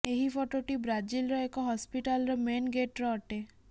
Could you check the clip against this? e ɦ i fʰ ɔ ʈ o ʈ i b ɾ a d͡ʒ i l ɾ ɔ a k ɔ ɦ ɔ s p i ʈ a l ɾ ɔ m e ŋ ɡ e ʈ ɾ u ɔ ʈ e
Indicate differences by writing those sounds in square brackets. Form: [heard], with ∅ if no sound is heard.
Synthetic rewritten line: e ɦ i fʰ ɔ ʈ o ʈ i b ɾ a d͡ʒ i l ɾ ɔ [e] k ɔ ɦ ɔ s p i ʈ a l ɾ ɔ m e [n] ɡ e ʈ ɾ [ɔ] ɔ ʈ e